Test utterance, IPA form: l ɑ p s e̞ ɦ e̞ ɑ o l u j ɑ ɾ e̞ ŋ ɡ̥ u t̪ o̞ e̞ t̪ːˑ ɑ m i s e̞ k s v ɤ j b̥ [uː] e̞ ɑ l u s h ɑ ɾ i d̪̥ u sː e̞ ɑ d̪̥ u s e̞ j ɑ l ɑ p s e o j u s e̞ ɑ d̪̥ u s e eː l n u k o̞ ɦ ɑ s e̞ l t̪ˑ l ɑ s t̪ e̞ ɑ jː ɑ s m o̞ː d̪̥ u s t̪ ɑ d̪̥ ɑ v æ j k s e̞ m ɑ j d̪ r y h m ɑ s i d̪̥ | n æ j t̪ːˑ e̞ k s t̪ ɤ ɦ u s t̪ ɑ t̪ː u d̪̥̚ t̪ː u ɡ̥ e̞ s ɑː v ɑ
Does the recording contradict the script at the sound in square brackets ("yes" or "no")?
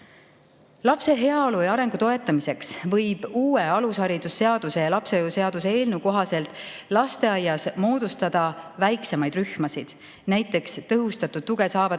no